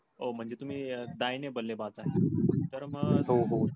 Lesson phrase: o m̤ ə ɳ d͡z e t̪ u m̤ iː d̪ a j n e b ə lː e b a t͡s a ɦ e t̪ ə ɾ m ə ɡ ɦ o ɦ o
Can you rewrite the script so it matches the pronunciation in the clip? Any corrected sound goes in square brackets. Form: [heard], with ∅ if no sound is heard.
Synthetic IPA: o m̤ ə ɳ d͡z e t̪ u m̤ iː d̪ a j n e b ə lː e b a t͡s a ɦ e t̪ ə ɾ m ə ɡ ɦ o ɦ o